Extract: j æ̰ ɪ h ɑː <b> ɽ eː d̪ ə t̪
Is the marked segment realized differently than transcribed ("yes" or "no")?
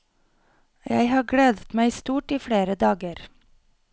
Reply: yes